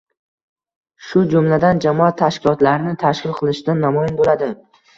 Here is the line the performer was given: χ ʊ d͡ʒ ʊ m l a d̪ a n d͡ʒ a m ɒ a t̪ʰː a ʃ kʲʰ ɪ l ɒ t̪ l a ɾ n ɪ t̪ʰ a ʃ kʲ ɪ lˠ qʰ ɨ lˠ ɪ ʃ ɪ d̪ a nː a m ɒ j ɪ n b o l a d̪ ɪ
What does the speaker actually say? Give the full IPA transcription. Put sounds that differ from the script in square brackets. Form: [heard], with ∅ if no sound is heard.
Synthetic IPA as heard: [ʃ] ʊ d͡ʒ ʊ m l a d̪ a n d͡ʒ a m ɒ a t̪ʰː a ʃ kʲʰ ɪ l ɒ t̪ l a ɾ n ɪ t̪ʰ a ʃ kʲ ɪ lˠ qʰ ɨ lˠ ɪ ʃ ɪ d̪ a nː a m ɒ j ɪ n b o l a d̪ ɪ